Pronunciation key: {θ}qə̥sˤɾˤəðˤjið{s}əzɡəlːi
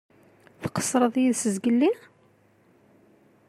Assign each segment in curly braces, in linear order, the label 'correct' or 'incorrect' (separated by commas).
correct, correct